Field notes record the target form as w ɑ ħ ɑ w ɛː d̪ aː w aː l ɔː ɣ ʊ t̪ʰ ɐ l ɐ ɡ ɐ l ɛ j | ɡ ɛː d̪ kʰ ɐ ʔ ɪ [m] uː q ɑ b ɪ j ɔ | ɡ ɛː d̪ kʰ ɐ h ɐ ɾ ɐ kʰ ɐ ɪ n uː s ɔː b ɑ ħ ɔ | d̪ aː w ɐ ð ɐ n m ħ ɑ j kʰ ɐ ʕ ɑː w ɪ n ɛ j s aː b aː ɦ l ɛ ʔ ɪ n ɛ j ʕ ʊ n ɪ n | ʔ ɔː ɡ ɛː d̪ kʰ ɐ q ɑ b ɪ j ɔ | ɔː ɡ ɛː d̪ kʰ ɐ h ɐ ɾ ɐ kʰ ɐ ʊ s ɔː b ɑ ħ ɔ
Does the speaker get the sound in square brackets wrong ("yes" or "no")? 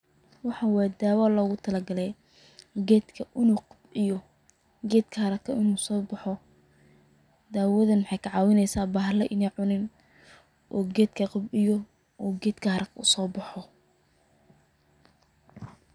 yes